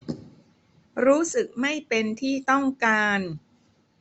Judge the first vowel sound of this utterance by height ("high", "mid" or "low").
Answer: high